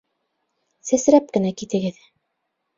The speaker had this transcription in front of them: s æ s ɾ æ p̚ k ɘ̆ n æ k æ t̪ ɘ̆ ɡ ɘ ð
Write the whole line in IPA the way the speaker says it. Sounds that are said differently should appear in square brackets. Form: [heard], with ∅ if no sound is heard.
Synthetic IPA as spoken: s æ s ɾ æ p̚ k ɘ̆ n æ k [i] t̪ ɘ̆ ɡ ɘ ð